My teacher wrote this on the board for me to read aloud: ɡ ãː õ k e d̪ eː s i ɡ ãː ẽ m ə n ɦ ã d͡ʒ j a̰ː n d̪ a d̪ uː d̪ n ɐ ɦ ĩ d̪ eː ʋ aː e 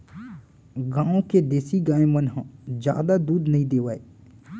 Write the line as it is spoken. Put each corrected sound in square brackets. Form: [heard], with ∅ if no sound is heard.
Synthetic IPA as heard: ɡ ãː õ k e d̪ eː s i ɡ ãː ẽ m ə n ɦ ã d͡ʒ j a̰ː [∅] d̪ a d̪ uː d̪ n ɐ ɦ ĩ d̪ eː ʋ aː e

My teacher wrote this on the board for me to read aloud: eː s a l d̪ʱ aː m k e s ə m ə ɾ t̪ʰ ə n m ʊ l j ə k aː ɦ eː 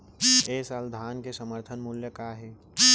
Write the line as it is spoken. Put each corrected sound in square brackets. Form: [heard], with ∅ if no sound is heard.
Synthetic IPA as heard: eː s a l d̪ʱ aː [n] k e s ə m ə ɾ t̪ʰ ə n m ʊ l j ə k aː ɦ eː

